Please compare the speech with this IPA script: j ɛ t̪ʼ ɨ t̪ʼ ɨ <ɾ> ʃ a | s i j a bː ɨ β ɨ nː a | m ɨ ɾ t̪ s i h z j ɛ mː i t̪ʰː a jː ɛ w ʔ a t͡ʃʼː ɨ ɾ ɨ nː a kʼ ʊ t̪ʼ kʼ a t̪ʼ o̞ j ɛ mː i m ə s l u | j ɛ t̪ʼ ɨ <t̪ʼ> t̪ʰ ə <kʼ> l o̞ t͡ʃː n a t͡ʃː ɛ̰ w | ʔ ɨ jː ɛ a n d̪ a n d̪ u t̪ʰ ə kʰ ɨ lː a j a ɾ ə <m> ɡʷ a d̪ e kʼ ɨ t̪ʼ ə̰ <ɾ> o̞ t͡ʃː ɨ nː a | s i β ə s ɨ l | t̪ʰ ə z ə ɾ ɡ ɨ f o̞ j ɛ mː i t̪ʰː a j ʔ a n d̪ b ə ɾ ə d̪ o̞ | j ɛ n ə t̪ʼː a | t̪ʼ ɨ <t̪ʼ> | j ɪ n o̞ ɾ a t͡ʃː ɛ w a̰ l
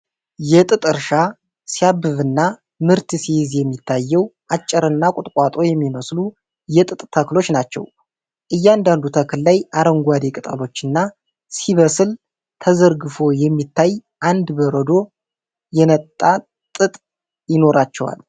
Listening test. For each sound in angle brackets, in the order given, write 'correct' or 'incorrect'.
correct, correct, incorrect: k, incorrect: ŋ, incorrect: l, correct

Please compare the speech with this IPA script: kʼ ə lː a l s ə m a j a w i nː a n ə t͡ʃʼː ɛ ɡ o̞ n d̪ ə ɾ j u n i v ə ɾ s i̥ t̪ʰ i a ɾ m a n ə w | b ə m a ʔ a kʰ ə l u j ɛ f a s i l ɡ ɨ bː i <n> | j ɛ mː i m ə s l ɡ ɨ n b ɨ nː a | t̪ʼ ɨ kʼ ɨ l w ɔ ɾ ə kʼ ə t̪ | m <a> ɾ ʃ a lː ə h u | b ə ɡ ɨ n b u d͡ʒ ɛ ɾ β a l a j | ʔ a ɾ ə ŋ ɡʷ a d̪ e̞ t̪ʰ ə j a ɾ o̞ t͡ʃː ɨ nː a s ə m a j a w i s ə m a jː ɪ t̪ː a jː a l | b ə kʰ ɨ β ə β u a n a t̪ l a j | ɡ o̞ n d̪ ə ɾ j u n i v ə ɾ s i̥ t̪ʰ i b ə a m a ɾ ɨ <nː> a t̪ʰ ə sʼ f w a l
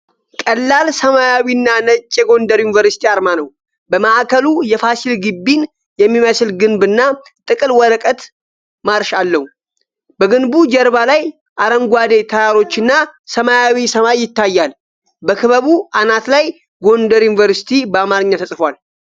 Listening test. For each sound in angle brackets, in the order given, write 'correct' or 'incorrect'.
correct, correct, incorrect: ɲː

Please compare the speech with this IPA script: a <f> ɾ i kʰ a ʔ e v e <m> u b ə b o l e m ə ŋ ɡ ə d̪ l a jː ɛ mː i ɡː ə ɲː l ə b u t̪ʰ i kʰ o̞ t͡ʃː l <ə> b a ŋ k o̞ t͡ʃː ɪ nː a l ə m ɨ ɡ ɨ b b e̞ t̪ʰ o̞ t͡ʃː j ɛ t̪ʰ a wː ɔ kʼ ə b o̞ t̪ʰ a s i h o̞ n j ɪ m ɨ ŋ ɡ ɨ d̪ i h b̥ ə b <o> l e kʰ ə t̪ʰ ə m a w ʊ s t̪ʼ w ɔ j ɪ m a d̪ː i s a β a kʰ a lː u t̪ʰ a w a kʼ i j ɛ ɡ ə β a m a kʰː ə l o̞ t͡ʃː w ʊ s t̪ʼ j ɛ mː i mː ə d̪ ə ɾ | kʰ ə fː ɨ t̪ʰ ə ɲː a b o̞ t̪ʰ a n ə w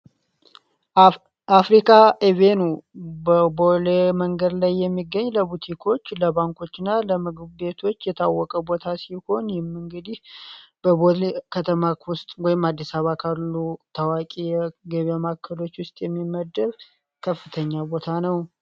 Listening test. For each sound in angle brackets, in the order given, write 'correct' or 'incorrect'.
correct, incorrect: n, correct, correct

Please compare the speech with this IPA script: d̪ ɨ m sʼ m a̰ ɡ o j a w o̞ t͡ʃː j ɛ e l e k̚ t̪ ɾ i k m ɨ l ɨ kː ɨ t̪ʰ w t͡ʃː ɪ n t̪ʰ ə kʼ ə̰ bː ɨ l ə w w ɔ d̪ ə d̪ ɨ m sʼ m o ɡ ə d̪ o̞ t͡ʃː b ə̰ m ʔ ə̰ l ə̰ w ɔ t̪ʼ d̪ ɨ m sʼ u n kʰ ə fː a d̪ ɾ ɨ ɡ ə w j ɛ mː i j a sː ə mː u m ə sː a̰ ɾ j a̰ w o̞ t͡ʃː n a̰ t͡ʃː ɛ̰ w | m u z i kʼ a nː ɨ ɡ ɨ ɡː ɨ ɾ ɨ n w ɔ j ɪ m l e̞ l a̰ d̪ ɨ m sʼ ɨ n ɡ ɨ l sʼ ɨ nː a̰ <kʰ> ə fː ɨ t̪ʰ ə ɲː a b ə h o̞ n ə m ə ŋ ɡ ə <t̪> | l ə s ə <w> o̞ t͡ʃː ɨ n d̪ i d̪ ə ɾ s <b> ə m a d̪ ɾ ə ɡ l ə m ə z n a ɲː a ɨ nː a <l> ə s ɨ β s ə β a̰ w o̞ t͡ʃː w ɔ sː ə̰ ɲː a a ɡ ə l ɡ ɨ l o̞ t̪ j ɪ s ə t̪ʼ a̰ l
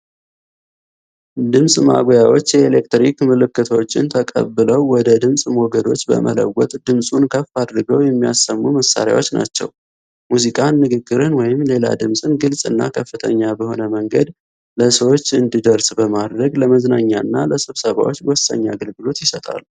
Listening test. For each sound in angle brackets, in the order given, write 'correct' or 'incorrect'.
correct, incorrect: d̪, correct, correct, correct

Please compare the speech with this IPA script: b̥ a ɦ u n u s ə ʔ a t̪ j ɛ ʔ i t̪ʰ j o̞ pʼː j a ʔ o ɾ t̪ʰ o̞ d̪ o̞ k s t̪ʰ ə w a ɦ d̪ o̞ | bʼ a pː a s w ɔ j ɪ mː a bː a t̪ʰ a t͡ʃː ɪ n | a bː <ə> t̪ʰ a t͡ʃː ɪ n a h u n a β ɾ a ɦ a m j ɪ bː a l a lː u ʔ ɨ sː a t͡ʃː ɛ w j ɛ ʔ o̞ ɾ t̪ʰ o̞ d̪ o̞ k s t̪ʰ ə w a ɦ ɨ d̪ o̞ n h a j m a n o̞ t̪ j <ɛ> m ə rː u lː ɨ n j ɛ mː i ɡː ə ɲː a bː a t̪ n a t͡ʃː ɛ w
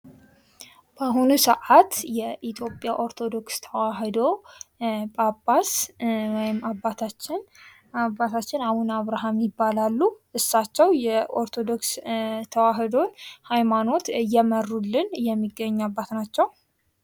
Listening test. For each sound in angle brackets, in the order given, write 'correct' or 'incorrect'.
incorrect: a, correct

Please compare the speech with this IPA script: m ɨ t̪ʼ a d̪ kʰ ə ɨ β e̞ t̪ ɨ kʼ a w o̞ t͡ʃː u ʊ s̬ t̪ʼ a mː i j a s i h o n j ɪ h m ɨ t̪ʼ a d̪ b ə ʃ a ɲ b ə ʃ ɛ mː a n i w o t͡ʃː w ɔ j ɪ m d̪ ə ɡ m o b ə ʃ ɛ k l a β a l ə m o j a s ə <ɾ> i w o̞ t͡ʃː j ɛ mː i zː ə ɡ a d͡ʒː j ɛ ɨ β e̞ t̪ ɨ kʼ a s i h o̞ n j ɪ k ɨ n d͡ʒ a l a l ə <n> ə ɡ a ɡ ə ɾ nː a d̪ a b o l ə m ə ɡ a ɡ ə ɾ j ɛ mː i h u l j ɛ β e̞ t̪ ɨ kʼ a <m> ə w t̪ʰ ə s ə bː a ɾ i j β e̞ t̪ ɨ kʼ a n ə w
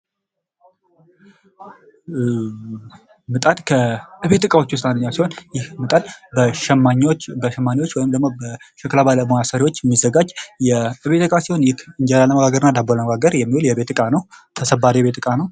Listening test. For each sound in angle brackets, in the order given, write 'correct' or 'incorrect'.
correct, incorrect: m, incorrect: n

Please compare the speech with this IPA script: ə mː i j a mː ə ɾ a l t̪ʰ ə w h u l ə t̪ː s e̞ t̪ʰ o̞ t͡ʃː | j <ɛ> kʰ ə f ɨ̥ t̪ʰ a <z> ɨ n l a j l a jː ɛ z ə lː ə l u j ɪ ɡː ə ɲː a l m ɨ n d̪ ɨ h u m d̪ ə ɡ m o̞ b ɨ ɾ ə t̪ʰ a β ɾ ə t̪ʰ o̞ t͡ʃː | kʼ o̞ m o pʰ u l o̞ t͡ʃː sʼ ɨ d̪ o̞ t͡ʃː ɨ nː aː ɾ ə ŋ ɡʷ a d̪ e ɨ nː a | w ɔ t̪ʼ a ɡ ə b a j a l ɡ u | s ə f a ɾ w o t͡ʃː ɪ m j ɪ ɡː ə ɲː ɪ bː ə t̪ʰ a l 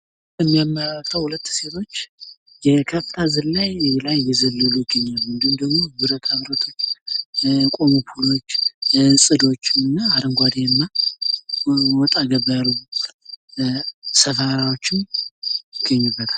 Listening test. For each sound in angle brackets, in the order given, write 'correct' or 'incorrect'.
correct, correct

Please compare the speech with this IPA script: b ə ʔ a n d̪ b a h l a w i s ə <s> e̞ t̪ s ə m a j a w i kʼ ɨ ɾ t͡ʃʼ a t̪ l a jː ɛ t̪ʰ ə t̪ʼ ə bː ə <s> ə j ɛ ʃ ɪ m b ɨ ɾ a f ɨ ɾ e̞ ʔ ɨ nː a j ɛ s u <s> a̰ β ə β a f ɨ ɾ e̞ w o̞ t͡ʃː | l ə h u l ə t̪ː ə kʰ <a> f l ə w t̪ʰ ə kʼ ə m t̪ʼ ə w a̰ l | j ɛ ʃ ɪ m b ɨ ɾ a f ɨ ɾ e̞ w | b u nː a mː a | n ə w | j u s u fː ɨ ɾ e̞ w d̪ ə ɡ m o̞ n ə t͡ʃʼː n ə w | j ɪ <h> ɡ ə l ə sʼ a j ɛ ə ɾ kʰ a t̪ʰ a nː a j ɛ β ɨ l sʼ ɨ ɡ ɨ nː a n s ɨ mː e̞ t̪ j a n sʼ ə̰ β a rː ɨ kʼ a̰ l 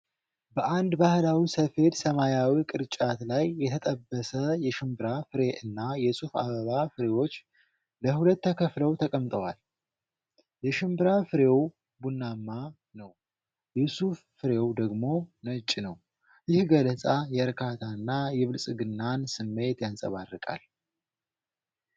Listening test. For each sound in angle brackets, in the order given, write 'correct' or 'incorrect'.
incorrect: f, correct, incorrect: f, incorrect: ə, correct

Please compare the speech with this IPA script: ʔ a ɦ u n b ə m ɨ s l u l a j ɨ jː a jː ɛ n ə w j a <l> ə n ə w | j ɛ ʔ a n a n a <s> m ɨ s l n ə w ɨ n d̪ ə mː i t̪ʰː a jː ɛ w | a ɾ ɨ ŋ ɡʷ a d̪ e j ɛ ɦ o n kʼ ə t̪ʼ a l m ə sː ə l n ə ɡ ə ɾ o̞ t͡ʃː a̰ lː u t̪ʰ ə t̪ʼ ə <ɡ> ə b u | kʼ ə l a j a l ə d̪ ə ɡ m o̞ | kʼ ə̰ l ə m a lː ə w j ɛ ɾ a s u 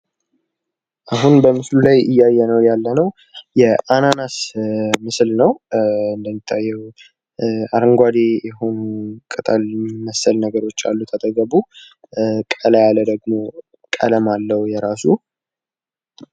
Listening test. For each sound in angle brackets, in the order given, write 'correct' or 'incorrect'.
incorrect: lː, correct, correct

